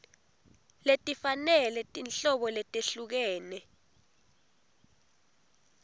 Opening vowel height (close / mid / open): mid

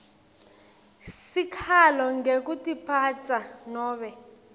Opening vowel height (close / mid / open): close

